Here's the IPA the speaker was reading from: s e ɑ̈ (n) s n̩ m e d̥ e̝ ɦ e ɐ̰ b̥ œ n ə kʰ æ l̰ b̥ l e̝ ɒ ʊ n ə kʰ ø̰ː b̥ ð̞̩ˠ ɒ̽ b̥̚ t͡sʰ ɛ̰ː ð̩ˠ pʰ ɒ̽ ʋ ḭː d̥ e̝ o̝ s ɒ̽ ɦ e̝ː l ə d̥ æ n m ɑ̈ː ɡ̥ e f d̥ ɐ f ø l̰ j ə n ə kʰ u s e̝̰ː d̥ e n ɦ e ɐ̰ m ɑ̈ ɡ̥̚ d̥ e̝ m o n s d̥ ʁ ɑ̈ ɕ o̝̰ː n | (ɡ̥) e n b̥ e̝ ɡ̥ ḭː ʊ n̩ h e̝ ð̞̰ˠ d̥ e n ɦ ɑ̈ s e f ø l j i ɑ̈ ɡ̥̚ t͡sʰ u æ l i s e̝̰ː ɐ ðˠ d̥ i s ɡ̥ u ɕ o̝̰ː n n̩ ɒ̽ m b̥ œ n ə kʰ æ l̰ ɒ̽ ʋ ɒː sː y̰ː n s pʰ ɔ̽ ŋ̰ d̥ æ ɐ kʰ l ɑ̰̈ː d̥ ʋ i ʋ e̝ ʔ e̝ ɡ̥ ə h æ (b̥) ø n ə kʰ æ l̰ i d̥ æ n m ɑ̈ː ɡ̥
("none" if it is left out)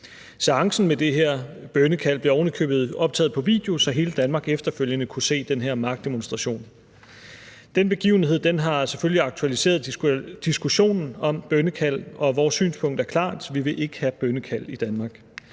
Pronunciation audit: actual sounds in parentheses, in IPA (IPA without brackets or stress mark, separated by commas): ŋ, d̥, b̥